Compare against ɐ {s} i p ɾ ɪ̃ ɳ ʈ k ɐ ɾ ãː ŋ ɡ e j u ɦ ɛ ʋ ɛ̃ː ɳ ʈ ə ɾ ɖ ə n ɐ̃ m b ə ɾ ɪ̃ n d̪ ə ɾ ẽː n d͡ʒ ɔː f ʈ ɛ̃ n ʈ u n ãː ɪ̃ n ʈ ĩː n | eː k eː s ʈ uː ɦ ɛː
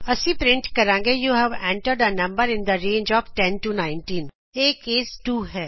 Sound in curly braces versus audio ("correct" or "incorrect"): correct